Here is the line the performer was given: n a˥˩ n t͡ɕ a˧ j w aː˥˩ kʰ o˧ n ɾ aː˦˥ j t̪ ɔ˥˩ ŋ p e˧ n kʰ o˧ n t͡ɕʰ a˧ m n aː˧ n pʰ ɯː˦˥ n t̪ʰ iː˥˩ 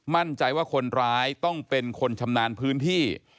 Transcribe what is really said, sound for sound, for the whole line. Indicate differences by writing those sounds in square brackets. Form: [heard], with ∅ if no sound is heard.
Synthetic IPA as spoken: [m] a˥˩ n t͡ɕ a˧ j w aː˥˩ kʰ o˧ n ɾ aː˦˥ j t̪ ɔ˥˩ ŋ p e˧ n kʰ o˧ n t͡ɕʰ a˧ m n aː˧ n pʰ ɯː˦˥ n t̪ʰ iː˥˩